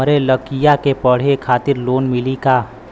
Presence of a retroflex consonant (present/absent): present